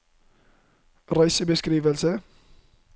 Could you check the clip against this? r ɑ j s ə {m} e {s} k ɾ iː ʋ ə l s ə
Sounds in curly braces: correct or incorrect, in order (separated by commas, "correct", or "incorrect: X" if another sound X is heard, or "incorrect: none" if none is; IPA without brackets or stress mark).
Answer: incorrect: b, correct